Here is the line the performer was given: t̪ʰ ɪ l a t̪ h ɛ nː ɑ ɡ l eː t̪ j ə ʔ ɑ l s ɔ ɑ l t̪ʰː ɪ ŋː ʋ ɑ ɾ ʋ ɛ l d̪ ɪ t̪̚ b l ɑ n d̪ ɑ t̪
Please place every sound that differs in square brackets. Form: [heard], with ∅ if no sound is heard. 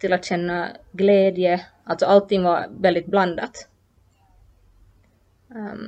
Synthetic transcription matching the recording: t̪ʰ ɪ l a t̪ [ɕ] ɛ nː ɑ ɡ l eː [d̪] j ə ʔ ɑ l s ɔ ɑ l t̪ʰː ɪ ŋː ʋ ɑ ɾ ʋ ɛ l d̪ ɪ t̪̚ b l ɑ n d̪ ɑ t̪